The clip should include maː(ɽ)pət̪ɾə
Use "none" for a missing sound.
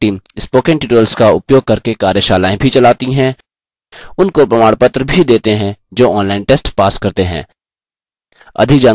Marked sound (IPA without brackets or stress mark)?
ɽ